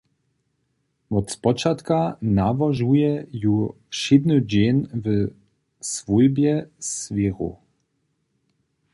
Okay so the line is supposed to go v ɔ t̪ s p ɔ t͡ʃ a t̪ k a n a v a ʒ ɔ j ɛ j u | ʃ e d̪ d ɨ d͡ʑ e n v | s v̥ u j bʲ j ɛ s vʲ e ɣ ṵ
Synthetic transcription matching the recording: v ɔ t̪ s p ɔ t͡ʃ a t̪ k a n a v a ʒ u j ɛ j u | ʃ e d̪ n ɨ d͡ʑ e n v | s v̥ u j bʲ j ɛ s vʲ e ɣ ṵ